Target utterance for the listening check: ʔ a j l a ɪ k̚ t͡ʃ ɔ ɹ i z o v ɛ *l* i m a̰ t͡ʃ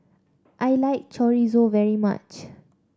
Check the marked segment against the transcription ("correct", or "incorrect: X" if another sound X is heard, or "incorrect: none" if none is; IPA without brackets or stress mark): incorrect: ɹ